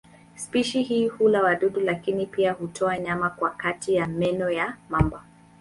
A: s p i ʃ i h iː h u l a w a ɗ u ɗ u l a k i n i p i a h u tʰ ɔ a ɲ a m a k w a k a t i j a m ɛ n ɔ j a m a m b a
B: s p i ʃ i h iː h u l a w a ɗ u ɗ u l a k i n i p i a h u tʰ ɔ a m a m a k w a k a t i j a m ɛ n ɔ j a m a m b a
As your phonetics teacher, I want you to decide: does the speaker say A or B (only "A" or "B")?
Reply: A